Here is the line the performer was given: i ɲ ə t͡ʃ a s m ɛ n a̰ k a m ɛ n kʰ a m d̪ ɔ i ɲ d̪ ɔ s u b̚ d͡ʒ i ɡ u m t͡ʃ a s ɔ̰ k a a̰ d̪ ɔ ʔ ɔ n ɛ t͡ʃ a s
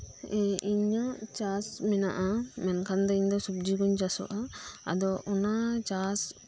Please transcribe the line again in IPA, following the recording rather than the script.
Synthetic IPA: i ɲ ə t͡ʃ a s m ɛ n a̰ ʔ a m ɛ n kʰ a n d̪ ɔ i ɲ d̪ ɔ s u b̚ d͡ʒ i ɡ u ɲ t͡ʃ a s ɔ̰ ʔ a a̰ d̪ ɔ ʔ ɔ n a t͡ʃ a s